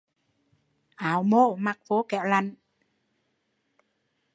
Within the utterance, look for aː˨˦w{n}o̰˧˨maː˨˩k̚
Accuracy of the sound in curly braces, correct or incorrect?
incorrect